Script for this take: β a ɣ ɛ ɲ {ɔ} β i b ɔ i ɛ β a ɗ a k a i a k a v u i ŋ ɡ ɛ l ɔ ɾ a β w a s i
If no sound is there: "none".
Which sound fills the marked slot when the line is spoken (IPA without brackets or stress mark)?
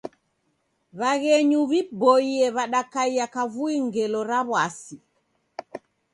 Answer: u